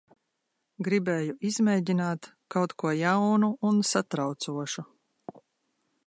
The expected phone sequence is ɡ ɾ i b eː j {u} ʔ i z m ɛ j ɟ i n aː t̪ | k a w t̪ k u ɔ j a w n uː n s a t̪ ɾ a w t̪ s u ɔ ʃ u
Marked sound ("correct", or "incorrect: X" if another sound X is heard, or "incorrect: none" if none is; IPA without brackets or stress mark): correct